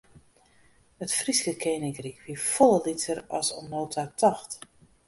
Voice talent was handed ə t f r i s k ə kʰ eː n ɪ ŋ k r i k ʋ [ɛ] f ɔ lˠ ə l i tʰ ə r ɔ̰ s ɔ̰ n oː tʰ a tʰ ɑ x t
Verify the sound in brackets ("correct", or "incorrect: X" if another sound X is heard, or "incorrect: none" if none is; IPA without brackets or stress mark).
incorrect: i